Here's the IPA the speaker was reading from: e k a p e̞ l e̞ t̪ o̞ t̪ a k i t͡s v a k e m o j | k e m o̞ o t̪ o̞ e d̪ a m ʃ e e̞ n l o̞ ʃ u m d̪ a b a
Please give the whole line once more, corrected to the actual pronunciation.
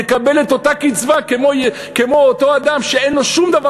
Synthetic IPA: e k a b e̞ l e̞ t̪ o̞ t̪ a k i t͡s v a k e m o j | k e m o̞ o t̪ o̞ a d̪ a m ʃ e e̞ n l o̞ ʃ u m d̪ a v a